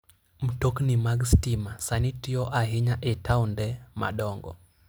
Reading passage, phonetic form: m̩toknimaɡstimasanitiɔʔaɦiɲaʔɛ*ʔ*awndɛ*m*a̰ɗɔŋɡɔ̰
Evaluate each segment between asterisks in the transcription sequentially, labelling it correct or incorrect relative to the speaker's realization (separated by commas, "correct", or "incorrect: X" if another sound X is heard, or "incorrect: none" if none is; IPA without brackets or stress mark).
incorrect: t, correct